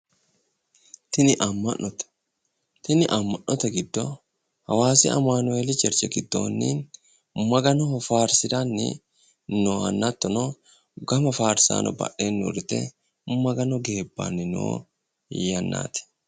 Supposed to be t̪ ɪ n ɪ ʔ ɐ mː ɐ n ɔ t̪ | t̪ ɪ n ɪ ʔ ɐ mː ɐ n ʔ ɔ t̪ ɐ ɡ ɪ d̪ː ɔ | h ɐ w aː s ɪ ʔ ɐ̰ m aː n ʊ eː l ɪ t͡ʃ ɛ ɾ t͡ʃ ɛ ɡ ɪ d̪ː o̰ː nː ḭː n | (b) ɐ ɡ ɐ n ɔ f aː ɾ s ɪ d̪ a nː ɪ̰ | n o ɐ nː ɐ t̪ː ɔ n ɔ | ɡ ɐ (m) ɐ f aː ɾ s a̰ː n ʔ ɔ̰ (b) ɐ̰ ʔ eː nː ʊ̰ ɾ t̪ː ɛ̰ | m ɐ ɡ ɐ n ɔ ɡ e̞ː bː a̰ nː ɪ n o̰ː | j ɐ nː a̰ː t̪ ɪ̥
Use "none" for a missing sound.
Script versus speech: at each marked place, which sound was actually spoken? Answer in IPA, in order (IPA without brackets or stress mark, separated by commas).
m, m, b